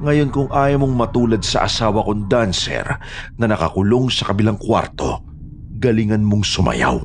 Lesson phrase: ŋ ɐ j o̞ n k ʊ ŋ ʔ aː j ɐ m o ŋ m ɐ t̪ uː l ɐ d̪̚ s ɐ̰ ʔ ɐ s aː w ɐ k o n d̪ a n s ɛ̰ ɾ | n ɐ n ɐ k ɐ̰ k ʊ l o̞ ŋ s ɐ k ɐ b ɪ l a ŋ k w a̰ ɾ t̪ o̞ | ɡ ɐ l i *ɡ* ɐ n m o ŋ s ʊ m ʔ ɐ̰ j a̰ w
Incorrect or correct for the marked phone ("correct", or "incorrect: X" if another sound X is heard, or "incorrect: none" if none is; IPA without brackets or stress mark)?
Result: incorrect: ŋ